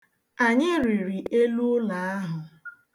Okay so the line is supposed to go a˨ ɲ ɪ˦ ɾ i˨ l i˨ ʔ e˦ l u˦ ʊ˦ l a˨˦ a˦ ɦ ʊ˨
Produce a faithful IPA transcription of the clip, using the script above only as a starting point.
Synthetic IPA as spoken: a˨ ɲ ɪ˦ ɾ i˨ ɾ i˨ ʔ e˦ l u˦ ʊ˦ l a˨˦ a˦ ɦ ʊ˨